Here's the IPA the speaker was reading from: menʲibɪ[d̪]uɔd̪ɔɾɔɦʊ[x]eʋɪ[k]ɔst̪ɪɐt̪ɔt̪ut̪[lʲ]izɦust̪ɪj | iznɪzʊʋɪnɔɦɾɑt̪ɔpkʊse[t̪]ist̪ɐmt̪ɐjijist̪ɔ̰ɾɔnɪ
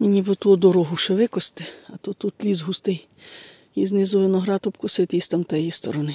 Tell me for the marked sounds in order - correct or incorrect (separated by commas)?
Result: incorrect, incorrect, correct, correct, correct